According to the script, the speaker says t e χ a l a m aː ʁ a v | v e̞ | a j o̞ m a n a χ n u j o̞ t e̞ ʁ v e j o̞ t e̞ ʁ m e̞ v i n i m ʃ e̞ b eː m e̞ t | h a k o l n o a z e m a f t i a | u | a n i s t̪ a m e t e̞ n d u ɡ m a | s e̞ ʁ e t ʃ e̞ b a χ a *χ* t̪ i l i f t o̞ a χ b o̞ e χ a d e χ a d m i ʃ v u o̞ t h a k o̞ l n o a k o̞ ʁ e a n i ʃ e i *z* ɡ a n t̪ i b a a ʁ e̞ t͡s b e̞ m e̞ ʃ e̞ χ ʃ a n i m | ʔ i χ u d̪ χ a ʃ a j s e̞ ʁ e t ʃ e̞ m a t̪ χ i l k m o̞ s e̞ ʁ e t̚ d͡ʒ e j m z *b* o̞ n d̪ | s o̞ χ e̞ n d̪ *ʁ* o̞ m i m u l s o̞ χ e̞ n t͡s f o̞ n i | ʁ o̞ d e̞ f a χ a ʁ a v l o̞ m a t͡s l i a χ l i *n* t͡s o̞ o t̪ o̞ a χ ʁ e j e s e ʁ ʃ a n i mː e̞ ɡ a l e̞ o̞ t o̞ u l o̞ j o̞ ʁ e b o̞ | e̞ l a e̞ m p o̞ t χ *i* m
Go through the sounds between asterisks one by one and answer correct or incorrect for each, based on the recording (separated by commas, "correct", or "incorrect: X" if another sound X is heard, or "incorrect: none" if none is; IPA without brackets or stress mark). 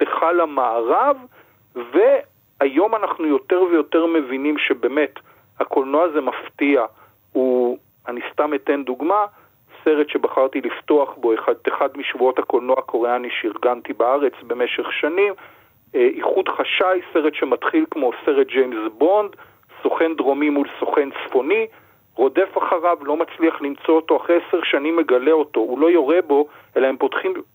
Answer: incorrect: ʁ, incorrect: ʁ, correct, correct, incorrect: m, correct